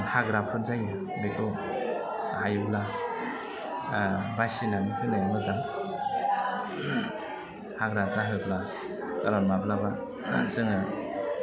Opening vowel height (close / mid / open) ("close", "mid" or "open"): open